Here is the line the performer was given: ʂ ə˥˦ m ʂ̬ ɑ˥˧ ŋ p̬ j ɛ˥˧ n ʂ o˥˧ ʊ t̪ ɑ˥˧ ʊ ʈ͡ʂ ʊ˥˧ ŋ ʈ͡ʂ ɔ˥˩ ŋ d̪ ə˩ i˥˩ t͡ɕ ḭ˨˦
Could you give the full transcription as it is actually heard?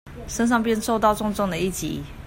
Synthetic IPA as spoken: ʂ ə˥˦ n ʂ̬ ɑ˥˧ ŋ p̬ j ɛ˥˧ n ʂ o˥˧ ʊ t̪ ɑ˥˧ ʊ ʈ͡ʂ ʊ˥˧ ŋ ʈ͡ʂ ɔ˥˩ ŋ d̪ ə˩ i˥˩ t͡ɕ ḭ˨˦

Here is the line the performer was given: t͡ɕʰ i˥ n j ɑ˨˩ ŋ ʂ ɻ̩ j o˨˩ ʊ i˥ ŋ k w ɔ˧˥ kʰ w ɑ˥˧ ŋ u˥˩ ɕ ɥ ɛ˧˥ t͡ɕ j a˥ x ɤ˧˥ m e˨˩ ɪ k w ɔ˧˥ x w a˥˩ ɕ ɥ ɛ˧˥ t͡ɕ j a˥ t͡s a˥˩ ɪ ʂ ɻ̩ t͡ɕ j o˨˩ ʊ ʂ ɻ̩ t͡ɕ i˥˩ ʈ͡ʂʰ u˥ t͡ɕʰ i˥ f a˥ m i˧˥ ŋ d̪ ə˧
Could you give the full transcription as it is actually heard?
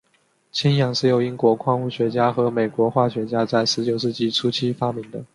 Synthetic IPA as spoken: t͡ɕʰ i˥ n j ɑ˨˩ ŋ ʂ ɻ̩ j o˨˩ ʊ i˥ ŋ k w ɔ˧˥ kʰ w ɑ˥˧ ŋ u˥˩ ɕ ɥ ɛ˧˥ t͡ɕ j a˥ x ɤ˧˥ m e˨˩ ɪ k w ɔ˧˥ x w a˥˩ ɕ ɥ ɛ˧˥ t͡ɕ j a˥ t͡s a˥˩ ɪ ʂ ɻ̩ t͡ɕ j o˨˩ ʊ ʂ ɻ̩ t͡ɕ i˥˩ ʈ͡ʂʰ u˥ t͡ɕʰ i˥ f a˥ m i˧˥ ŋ d̪ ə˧

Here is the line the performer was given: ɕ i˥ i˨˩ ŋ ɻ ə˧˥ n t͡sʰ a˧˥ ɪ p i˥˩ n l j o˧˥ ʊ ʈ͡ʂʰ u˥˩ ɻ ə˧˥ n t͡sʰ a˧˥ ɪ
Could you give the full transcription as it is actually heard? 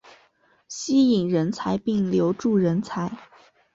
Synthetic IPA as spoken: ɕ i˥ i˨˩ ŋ ɻ ə˧˥ n t͡sʰ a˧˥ ɪ p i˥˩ ŋ l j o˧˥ ʊ ʈ͡ʂ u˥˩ ɻ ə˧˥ n t͡sʰ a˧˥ ɪ

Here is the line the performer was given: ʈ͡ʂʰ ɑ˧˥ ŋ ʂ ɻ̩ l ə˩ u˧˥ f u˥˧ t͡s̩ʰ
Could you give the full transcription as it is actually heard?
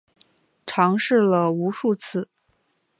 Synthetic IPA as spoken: ʈ͡ʂʰ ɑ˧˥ ŋ ʂ ɻ̩ l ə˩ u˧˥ ʂ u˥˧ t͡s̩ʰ

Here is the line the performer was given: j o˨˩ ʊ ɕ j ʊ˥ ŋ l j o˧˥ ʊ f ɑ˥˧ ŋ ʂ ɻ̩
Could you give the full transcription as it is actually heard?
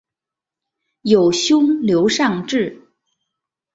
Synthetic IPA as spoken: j o˨˩ ʊ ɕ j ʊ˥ ŋ l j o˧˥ ʊ ʂ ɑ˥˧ ŋ ʈ͡ʂ ɻ̩

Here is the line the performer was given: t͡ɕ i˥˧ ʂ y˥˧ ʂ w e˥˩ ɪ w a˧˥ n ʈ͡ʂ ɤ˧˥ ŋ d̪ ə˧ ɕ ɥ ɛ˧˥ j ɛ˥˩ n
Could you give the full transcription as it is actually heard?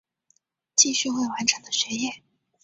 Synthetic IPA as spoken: t͡ɕ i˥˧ ɕ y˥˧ x w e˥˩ ɪ w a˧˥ n ʈ͡ʂʰ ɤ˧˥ ŋ d̪ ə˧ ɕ ɥ ɛ˧˥ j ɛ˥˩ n

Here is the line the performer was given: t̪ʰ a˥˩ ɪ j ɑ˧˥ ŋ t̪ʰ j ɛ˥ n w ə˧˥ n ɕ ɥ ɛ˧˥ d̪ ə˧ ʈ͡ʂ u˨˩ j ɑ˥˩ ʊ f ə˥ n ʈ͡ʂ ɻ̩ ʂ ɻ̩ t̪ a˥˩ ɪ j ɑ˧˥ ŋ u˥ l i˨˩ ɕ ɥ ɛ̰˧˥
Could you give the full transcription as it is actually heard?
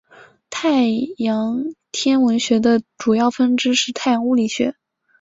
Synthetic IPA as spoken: t̪ʰ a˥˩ ɪ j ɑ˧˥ ŋ t̪ʰ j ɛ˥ n w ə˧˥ n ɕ ɥ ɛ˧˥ d̪ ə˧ ʈ͡ʂ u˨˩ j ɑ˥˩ ʊ f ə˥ n ʈ͡ʂ ɻ̩ ʂ ɻ̩ t̪ʰ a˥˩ ɪ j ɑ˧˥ ŋ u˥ l i˨˩ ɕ ɥ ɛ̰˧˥

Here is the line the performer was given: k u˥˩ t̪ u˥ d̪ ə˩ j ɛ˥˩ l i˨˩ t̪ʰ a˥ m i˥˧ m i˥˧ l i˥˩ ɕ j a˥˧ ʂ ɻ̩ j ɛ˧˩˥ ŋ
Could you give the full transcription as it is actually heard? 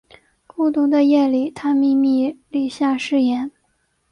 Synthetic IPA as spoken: k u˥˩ t̪ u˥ d̪ ə˧ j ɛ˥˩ l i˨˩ t̪ʰ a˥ m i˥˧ m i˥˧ l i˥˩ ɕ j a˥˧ ʂ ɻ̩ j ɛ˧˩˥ n

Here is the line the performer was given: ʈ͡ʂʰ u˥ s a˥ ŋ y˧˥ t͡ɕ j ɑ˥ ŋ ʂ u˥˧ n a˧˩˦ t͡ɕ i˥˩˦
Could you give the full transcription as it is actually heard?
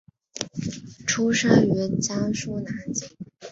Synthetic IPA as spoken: ʈ͡ʂʰ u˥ ʂ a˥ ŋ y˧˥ t͡ɕ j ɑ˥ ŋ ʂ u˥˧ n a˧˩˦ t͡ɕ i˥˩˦

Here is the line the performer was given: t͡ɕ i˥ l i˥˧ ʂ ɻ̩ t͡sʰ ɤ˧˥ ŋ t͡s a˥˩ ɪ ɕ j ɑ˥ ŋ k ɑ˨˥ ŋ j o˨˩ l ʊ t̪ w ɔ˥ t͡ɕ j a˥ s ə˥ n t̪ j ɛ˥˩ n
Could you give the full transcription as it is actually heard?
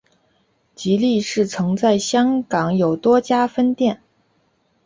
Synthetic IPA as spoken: t͡ɕ i˧˥ l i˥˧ ʂ ɻ̩ t͡sʰ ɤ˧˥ ŋ t͡s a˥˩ ɪ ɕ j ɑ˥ ŋ k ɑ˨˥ ŋ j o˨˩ ʊ t̪ w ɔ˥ t͡ɕ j a˥ f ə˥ n t̪ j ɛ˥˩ n

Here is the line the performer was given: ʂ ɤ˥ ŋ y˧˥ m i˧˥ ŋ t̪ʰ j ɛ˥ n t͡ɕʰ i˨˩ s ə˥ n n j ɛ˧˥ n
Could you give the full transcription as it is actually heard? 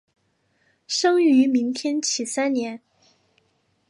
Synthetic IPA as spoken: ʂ ɤ˥ ŋ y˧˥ m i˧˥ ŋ t̪ʰ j ɛ˥ n t͡ɕʰ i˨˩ s a˥ n n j ɛ˧˥ n

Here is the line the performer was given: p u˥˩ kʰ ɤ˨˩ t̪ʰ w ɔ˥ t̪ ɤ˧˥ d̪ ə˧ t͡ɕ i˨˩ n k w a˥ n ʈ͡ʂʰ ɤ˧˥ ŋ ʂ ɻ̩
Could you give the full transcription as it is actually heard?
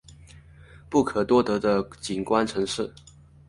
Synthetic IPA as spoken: p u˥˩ kʰ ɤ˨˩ t̪ w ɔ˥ t̪ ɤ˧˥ d̪ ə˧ t͡ɕ i˨˩ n k w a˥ n ʈ͡ʂʰ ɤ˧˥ ŋ ʂ ɻ̩

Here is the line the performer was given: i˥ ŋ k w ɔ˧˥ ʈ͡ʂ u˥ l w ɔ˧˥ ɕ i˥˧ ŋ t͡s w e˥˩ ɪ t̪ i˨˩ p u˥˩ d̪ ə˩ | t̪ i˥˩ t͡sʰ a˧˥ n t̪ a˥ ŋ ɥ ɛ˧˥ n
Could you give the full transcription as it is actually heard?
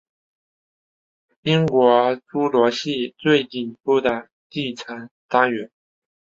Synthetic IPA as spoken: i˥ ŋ k w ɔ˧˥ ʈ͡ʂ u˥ l w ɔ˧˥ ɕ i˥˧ t͡s w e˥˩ ɪ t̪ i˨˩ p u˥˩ d̪ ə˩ | t̪ i˥˩ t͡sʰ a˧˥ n t̪ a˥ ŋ ɥ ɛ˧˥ n

